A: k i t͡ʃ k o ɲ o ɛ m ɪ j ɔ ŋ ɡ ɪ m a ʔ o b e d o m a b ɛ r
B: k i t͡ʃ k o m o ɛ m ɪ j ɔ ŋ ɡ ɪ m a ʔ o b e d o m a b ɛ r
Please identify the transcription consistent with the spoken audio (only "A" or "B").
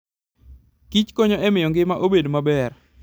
A